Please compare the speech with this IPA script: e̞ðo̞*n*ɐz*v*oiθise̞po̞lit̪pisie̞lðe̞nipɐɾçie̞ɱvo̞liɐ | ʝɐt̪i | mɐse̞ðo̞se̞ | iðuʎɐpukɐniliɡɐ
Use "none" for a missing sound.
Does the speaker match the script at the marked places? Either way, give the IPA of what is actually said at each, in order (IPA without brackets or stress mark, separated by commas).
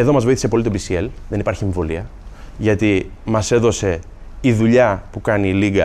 m, v